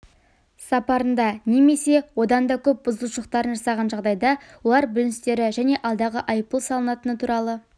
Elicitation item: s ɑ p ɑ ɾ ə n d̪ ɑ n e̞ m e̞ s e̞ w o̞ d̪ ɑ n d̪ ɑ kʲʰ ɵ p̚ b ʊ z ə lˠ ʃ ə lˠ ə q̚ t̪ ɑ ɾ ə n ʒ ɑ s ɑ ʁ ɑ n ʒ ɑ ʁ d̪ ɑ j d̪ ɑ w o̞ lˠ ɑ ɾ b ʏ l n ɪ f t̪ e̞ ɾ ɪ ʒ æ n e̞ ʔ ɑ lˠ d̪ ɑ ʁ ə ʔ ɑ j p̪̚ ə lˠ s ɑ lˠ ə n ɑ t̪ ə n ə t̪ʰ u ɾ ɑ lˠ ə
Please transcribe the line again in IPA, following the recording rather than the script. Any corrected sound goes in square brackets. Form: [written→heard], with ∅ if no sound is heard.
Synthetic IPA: s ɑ p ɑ ɾ ə n d̪ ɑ n e̞ m e̞ s e̞ w o̞ d̪ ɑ n d̪ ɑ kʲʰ ɵ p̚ b ʊ z ə lˠ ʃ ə lˠ ə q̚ t̪ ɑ ɾ ə n ʒ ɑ s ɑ ʁ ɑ n ʒ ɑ ʁ d̪ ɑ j d̪ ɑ w o̞ lˠ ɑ ɾ b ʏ l n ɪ [f→s] t̪ e̞ ɾ ɪ ʒ æ n e̞ ʔ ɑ lˠ d̪ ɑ ʁ ə ʔ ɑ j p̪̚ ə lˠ s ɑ lˠ ə n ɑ t̪ ə n ə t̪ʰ u ɾ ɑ lˠ ə